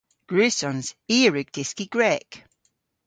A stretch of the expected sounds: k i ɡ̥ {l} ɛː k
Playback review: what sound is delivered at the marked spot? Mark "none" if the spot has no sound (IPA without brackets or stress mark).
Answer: ɹ